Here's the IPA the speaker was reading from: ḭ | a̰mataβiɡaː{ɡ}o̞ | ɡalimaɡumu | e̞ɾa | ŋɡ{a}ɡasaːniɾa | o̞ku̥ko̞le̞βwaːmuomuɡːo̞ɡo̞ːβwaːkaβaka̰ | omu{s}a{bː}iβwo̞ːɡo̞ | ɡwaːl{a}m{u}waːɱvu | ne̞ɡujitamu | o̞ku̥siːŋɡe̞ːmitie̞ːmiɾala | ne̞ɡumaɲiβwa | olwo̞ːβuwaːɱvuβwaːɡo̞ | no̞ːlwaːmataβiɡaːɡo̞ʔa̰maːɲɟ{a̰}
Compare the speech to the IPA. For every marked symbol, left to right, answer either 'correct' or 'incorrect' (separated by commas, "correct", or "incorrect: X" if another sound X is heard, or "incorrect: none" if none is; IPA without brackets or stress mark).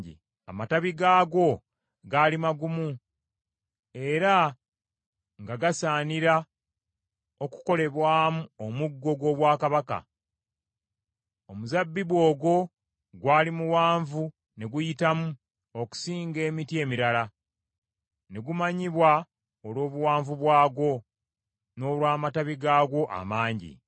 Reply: correct, correct, incorrect: z, correct, incorrect: i, correct, incorrect: ḭ